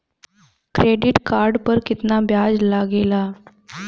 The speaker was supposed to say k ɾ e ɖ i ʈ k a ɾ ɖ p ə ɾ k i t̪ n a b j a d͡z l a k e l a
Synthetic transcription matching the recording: k ɾ e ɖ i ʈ k a ɾ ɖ p ə ɾ k i t̪ n a b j a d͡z l a ɡ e l a